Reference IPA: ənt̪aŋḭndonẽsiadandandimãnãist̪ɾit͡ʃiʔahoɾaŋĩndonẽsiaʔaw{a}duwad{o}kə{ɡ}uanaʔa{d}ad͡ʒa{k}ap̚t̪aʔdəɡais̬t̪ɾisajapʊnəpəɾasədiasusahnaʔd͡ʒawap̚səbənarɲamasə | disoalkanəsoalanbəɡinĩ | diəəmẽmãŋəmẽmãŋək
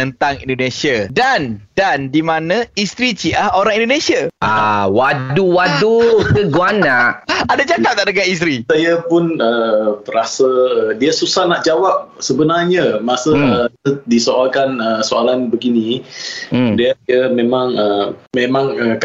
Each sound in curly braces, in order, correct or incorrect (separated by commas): correct, incorrect, correct, correct, correct